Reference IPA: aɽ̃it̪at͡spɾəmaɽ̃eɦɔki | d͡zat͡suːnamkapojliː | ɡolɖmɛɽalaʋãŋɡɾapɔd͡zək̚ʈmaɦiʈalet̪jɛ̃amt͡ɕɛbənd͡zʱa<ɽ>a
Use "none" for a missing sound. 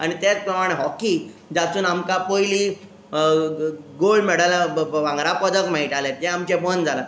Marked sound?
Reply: l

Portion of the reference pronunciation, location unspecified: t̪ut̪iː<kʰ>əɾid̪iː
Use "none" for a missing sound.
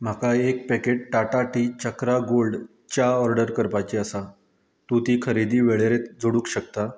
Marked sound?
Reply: kʰ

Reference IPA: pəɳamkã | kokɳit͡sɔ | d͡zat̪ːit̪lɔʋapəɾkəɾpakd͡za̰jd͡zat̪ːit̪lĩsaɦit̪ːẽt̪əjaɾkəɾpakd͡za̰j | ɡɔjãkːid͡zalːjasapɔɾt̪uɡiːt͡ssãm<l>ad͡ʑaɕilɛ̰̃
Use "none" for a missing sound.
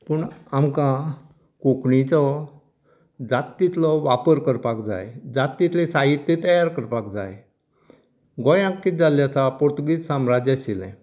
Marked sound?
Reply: ɾ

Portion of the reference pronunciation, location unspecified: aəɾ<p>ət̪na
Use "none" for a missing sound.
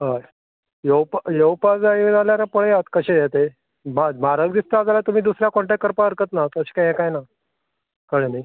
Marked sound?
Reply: k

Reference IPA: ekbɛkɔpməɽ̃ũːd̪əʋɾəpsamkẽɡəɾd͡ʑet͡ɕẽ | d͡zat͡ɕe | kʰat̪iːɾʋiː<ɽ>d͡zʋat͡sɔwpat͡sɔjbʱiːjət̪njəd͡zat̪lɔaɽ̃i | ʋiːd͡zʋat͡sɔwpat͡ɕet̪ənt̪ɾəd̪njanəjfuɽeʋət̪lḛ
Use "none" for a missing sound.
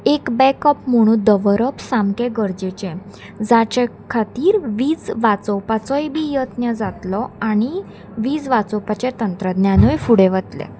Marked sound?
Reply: none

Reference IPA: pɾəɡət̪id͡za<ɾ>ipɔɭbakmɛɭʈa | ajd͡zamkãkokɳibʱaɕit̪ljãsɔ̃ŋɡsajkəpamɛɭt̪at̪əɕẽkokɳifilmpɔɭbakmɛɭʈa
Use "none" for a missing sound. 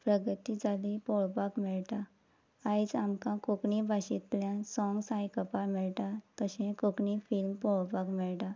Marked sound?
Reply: l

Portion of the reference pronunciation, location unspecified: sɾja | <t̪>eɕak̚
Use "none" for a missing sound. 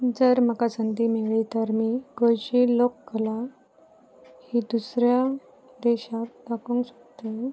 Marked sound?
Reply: d̪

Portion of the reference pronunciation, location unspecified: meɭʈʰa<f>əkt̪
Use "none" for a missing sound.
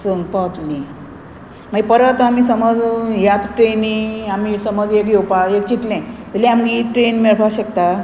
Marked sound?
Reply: ɕ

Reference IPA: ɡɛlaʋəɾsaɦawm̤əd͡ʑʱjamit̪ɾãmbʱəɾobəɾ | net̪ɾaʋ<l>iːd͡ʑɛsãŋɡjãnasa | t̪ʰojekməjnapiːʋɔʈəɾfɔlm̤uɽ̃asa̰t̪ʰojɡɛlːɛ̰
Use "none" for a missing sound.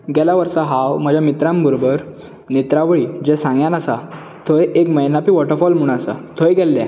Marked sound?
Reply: ɭ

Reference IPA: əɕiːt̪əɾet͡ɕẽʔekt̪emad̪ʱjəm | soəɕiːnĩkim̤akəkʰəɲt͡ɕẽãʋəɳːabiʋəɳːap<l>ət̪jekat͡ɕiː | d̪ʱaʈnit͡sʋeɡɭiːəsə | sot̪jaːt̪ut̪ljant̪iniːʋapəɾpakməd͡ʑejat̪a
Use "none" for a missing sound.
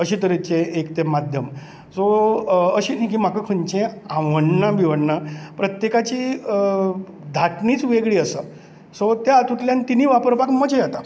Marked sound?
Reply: ɾ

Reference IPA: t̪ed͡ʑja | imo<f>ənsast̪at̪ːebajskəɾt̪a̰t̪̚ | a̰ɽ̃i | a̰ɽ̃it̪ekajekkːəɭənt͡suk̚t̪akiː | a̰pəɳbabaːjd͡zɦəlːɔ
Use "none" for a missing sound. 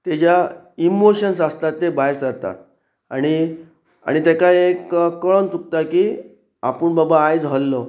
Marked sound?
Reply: ɕ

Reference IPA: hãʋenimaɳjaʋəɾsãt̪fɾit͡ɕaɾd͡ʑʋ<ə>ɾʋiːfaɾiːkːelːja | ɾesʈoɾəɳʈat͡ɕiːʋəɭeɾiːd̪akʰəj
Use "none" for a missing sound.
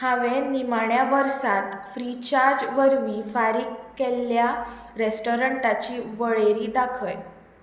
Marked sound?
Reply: ə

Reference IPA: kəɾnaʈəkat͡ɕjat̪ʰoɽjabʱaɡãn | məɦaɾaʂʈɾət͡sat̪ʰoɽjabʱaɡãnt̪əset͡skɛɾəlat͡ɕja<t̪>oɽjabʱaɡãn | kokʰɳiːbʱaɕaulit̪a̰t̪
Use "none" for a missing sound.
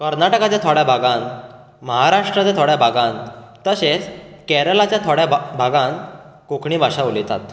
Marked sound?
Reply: t̪ʰ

